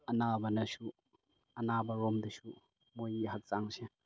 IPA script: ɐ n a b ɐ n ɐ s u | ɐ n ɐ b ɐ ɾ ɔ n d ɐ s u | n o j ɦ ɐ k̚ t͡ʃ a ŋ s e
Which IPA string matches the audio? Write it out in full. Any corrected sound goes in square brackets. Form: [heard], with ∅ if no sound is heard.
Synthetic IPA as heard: ɐ n a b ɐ n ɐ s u | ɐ n [a] b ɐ ɾ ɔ [m] d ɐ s u | [m] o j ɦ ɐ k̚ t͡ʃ a ŋ s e